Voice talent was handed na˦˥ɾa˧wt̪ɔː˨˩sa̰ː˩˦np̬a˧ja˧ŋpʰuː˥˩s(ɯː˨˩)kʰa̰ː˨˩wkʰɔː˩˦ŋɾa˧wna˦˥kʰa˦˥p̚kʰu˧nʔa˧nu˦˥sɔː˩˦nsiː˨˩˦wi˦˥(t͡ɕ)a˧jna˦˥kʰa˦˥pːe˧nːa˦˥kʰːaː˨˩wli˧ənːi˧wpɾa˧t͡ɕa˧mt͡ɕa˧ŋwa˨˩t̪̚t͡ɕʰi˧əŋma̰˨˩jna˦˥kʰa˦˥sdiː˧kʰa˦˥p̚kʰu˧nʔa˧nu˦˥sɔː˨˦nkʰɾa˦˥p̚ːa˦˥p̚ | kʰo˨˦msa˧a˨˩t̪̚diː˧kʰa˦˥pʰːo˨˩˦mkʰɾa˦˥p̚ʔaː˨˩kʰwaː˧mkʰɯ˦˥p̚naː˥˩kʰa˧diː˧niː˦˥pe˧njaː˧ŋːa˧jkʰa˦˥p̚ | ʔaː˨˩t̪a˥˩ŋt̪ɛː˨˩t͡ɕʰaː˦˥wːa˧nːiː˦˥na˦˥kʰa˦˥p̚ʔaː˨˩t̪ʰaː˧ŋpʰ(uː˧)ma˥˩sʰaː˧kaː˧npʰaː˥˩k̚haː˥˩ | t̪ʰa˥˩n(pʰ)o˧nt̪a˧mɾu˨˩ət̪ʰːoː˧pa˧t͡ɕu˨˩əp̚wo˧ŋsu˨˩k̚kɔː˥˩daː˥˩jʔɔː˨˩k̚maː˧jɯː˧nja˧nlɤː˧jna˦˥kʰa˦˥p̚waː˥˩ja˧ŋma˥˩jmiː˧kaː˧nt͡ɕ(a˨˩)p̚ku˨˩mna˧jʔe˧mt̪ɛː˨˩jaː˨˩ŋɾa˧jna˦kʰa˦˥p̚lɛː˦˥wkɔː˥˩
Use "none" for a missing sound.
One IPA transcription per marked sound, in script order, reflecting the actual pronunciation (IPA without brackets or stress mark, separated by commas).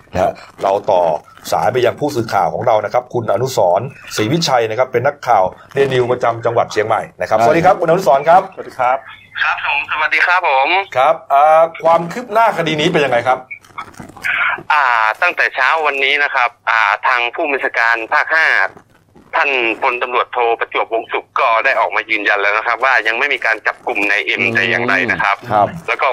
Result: ɯː˨˩, t͡ɕʰ, uː˥˩, pʰ, a˨˩